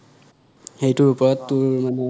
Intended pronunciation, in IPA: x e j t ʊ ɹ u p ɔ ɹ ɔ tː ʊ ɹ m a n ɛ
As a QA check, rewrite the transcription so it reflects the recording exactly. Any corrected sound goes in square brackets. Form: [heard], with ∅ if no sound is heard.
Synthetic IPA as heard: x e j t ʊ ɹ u p ɔ ɹ ɔ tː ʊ ɹ m a n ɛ